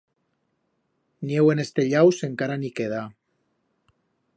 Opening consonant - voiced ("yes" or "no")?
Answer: yes